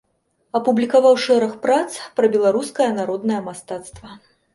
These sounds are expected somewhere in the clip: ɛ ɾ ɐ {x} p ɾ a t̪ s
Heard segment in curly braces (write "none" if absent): x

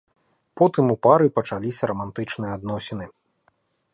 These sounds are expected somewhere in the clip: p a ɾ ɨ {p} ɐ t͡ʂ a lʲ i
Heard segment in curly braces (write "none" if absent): p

